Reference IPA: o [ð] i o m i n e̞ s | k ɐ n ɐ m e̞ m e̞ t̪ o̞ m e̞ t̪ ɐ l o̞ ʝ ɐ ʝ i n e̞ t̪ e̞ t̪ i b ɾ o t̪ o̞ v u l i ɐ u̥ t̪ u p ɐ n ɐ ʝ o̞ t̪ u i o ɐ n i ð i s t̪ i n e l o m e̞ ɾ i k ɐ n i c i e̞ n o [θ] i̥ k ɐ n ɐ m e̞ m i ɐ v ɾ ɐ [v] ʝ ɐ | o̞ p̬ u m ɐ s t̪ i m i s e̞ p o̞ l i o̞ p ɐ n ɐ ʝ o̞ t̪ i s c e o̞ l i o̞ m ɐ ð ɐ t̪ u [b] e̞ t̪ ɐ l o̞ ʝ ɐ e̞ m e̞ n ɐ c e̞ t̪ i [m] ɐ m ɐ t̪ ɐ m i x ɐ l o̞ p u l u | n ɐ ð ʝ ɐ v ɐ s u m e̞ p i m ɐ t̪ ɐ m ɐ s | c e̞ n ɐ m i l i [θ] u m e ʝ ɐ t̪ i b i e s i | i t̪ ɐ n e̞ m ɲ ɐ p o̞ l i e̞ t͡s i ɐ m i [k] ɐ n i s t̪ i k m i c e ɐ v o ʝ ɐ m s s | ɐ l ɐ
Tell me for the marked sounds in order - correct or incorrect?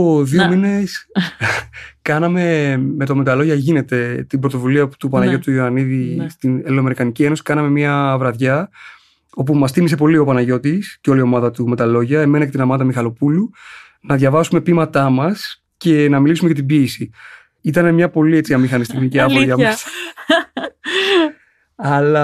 correct, incorrect, incorrect, incorrect, incorrect, incorrect, incorrect

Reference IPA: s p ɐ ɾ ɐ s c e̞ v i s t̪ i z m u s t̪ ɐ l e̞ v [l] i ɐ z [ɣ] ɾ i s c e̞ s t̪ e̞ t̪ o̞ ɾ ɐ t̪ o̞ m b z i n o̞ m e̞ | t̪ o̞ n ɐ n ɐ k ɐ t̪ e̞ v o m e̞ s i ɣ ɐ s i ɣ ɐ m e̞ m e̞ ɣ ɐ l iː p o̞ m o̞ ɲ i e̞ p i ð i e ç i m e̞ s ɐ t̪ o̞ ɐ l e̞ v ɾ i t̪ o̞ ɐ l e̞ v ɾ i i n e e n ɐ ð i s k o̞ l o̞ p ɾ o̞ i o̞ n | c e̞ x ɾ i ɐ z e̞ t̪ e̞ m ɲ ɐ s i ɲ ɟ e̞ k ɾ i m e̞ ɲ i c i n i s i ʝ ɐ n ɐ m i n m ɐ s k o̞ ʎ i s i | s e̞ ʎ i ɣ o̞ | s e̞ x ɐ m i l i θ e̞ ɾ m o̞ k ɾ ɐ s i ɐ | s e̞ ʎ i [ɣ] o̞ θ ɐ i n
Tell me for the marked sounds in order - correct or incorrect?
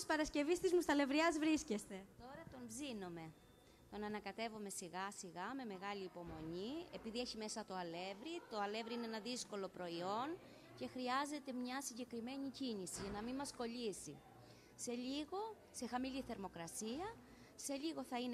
incorrect, incorrect, correct

